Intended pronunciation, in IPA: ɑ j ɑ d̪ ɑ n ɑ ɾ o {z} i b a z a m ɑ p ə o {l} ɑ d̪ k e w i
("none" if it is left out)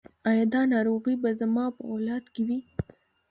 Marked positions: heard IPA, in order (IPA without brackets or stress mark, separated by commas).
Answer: ɣ, l